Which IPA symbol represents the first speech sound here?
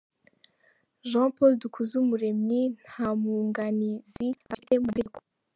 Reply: ʒ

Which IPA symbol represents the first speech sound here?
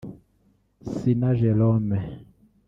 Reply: s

